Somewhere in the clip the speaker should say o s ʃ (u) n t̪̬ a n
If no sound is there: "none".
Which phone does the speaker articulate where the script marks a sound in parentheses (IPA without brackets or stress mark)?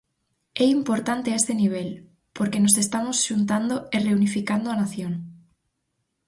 u